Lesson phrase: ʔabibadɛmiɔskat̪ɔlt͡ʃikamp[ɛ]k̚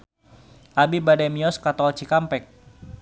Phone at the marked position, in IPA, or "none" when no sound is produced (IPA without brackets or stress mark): ɛ